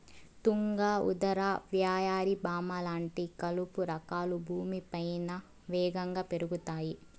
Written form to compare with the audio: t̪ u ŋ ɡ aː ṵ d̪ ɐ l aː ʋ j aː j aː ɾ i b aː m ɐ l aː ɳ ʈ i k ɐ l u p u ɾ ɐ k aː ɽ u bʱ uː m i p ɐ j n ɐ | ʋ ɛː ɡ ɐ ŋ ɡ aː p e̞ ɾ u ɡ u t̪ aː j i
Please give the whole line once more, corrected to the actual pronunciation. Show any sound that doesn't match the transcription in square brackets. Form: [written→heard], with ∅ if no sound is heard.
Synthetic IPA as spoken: t̪ u ŋ ɡ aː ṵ d̪ ɐ [l→ɾ] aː ʋ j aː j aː ɾ i b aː m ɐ l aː ɳ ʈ i k ɐ l u p u ɾ ɐ k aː [ɽ→l] u bʱ uː m i p ɐ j n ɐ | ʋ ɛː ɡ ɐ ŋ ɡ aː p e̞ ɾ u ɡ u t̪ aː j i